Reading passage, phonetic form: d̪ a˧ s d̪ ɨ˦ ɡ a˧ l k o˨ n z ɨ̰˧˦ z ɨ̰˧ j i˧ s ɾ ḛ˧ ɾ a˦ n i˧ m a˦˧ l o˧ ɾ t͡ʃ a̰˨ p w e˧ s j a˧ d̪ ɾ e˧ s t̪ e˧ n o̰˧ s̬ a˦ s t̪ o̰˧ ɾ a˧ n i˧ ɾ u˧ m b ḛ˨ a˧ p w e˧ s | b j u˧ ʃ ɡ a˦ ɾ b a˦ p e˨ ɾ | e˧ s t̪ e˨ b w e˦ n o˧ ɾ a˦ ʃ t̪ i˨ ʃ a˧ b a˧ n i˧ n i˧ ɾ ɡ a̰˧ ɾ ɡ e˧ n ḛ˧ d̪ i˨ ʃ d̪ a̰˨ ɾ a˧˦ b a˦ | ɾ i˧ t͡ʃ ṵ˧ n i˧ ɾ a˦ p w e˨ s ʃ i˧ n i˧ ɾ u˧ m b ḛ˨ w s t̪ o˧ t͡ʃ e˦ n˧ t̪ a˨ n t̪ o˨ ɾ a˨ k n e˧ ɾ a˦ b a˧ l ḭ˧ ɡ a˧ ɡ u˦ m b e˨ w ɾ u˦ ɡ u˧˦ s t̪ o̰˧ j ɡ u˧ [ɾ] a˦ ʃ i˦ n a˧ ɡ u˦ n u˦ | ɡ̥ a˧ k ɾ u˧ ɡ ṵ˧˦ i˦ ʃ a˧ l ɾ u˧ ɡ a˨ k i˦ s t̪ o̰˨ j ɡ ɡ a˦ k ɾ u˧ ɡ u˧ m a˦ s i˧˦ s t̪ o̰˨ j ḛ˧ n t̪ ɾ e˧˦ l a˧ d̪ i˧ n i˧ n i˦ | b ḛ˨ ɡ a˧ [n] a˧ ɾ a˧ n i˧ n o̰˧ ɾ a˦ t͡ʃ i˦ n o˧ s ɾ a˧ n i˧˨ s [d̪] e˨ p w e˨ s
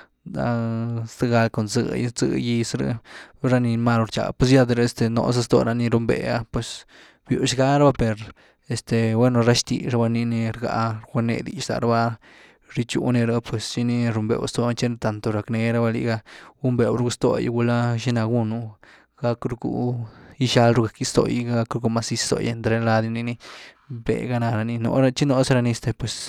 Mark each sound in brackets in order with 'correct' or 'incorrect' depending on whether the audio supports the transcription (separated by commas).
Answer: incorrect, correct, incorrect